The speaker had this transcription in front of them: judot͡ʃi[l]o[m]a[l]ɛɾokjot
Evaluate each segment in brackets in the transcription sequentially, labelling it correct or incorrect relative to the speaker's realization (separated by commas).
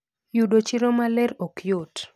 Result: incorrect, correct, correct